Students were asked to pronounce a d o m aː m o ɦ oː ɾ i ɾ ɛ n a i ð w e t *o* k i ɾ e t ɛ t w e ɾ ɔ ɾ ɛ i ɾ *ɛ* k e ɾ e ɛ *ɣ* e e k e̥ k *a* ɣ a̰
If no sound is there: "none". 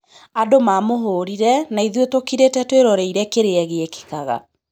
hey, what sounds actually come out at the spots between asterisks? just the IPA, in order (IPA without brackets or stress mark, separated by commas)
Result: o, ɛ, ɣ, a